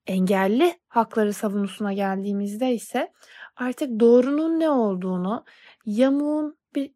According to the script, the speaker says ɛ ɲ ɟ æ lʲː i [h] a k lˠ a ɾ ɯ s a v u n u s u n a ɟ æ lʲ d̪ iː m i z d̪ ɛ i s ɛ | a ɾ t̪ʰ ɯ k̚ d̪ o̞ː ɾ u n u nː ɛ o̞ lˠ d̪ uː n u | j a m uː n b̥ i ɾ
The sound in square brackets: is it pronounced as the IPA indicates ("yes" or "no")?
yes